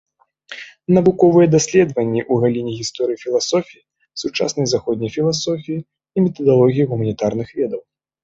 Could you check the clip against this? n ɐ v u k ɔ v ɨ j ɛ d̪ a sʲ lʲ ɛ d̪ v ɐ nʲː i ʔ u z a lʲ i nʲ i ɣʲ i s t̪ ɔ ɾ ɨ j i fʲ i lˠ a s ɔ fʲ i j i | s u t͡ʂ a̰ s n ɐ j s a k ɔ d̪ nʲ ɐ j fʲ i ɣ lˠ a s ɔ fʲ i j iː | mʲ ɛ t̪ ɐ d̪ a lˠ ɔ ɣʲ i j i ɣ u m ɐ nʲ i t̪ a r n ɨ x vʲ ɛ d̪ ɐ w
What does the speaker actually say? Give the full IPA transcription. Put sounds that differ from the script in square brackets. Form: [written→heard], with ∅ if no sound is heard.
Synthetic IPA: n ɐ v u k ɔ v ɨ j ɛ d̪ a sʲ lʲ ɛ d̪ v ɐ nʲː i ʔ u [z→ɣ] a lʲ i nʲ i ɣʲ i s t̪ ɔ ɾ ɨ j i fʲ i lˠ a s ɔ fʲ i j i | s u t͡ʂ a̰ s n ɐ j [s→z] a [k→x] ɔ d̪ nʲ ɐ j fʲ i [ɣ→∅] lˠ a s ɔ fʲ i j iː | mʲ ɛ t̪ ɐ d̪ a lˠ ɔ ɣʲ i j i ɣ u m ɐ nʲ i t̪ a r n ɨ x vʲ ɛ d̪ ɐ w